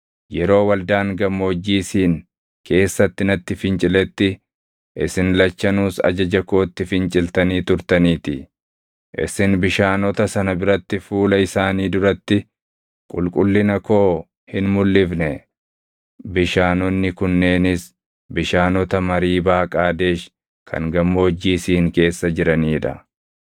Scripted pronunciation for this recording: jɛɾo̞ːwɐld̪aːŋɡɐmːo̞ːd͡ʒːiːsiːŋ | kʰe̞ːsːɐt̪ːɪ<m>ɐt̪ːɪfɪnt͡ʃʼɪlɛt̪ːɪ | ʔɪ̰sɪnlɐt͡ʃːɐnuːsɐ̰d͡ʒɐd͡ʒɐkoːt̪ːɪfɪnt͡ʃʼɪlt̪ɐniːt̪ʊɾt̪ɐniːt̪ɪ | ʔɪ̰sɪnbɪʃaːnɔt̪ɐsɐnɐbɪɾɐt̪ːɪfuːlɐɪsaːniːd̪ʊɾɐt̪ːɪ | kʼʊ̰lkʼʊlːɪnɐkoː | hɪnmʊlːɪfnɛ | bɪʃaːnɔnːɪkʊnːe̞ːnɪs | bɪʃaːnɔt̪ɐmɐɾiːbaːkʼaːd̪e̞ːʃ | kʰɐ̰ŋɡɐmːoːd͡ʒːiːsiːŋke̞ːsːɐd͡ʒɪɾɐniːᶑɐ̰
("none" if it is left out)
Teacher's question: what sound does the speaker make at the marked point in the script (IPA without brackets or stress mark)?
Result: n